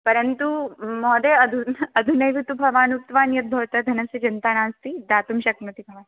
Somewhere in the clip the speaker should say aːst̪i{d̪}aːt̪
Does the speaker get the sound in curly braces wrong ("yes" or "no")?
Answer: no